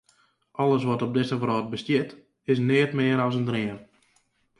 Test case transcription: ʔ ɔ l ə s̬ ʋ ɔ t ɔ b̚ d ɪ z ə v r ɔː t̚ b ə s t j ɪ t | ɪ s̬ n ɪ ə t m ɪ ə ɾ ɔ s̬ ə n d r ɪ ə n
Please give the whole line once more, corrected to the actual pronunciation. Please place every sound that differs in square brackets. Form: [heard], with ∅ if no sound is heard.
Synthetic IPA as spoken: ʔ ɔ l ə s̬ ʋ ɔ t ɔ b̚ d ɪ [s] ə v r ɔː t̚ b ə s t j ɪ t | ɪ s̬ n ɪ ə t m ɪ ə ɾ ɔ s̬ ə n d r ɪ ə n